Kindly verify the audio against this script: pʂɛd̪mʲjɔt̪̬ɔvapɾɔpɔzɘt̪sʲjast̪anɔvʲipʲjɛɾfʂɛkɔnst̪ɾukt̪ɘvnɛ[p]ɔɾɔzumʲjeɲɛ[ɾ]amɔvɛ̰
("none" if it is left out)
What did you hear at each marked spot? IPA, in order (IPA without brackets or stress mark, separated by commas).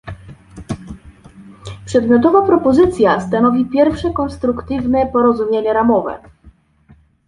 p, ɾ